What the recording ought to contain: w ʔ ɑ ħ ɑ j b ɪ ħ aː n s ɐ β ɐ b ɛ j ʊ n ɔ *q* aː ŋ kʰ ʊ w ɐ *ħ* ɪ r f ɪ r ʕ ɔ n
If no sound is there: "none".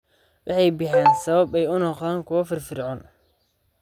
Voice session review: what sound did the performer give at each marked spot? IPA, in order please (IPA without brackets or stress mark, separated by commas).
q, f